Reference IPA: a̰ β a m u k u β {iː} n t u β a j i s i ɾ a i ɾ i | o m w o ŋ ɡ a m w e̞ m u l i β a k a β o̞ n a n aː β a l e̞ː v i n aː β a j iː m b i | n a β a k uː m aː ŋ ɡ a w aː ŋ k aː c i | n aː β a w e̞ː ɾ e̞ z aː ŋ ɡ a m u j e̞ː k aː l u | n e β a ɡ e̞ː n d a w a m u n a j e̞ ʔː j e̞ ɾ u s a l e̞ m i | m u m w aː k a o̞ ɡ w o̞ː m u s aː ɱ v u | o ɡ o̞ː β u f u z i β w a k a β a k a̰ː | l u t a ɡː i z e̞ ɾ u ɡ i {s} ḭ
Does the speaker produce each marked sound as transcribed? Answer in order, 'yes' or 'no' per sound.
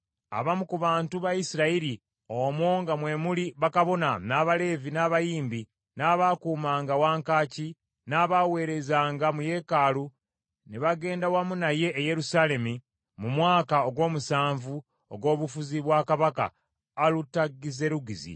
no, no

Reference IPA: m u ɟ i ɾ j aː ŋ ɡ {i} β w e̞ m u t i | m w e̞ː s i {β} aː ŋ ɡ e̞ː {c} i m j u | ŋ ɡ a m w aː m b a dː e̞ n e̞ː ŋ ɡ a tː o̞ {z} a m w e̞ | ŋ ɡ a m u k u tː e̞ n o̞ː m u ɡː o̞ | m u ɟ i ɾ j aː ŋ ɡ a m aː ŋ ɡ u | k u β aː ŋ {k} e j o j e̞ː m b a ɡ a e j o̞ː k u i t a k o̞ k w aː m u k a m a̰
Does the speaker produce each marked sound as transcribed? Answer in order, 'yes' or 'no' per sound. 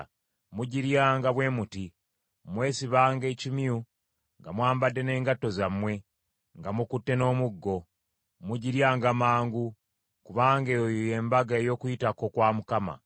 no, yes, yes, yes, no

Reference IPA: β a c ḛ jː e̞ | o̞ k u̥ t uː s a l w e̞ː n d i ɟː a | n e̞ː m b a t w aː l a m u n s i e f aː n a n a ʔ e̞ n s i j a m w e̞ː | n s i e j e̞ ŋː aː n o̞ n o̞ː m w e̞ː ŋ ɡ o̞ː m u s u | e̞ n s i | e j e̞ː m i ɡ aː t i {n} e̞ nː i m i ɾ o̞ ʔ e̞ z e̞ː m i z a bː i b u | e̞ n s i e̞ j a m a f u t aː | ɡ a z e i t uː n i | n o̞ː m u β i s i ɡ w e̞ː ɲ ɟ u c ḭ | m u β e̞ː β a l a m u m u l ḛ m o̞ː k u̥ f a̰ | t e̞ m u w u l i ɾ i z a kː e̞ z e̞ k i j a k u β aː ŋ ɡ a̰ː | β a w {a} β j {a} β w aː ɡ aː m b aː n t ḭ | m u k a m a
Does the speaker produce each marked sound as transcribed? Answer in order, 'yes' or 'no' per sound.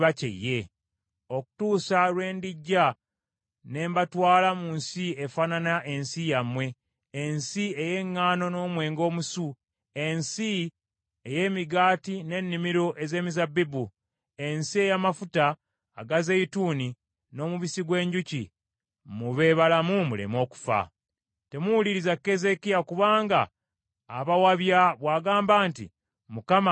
yes, yes, yes

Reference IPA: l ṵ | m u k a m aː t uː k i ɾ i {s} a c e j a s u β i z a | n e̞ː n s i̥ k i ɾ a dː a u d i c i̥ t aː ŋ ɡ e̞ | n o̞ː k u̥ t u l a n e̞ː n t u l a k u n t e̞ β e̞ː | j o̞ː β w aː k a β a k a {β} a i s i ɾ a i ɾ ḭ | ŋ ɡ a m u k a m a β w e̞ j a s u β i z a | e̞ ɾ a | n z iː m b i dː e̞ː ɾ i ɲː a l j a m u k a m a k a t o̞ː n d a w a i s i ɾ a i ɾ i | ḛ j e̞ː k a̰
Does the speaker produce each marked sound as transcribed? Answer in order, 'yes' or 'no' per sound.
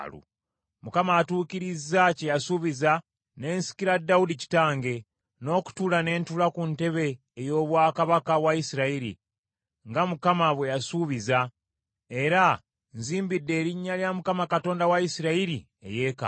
no, no

